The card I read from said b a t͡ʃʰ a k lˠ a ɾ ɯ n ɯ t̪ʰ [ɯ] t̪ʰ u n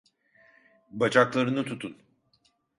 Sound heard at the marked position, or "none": u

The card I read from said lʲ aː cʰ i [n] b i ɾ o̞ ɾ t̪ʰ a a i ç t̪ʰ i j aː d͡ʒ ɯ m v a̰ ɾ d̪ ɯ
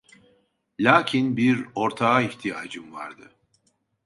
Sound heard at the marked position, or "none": n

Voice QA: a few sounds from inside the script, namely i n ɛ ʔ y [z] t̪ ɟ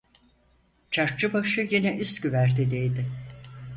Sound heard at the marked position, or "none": s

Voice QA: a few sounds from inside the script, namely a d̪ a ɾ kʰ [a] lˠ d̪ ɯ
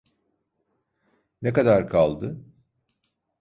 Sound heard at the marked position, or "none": a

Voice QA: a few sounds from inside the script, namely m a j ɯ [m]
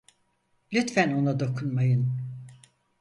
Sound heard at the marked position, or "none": n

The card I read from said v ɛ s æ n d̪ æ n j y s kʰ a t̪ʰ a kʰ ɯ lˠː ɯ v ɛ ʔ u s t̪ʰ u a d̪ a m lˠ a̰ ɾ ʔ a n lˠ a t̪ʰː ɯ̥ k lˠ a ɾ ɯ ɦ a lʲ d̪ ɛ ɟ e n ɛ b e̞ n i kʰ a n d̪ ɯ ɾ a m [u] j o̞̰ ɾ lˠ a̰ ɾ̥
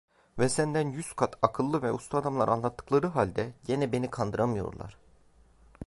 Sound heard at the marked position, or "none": ɯ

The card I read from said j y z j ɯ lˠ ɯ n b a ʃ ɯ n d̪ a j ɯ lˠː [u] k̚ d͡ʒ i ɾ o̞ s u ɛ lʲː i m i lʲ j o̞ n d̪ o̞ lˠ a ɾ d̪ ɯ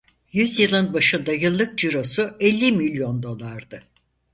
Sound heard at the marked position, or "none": ɯ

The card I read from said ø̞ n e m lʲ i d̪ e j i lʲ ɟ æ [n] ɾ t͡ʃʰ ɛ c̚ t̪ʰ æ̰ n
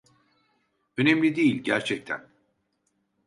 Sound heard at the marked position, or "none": none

